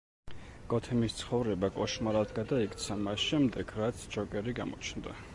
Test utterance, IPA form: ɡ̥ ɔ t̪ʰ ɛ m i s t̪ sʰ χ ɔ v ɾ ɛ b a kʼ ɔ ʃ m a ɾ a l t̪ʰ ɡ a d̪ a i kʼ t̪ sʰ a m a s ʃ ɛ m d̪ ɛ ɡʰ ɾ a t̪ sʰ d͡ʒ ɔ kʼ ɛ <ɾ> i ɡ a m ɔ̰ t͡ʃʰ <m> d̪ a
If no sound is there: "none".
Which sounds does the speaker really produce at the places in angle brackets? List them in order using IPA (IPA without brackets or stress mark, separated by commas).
ɾ, n